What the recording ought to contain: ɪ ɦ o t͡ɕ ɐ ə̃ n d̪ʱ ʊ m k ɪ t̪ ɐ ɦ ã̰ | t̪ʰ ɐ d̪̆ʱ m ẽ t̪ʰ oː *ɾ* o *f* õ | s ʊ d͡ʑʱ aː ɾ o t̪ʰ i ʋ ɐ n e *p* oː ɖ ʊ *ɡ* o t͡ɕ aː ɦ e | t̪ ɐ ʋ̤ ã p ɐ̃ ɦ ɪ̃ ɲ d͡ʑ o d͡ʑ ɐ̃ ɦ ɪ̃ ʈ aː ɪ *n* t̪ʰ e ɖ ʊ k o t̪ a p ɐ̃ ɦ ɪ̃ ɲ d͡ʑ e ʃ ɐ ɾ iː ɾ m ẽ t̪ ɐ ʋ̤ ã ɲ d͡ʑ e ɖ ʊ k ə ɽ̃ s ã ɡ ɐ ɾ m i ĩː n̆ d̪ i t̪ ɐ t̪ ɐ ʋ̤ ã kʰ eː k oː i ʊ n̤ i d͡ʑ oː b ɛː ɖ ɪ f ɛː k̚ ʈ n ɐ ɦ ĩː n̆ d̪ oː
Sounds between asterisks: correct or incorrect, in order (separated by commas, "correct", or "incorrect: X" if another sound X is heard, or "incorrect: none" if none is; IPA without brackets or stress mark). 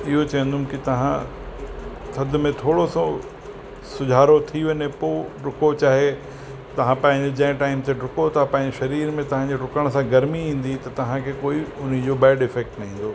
incorrect: ɽ, incorrect: s, correct, incorrect: k, incorrect: m